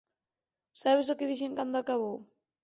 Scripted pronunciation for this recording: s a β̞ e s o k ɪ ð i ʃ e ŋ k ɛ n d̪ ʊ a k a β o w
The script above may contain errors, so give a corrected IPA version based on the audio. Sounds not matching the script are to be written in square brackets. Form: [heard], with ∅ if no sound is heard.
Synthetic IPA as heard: s a β̞ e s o k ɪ ð i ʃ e ŋ k [a] n d̪ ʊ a k a β o w